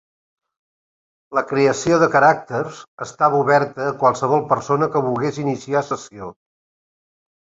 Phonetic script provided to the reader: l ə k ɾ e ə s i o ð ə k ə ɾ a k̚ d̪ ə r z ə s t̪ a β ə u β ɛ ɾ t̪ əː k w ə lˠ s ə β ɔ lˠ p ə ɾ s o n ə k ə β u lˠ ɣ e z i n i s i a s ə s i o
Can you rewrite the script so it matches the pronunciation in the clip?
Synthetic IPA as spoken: l ə k ɾ e ə s i o ð ə k ə ɾ a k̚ t̪ ə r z ə s t̪ a β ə u β ɛ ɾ t̪ əː k w a lˠ s ə β ɔ lˠ p ə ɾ s o n ə k ə β u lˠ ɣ e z i n i s i a s ə s i o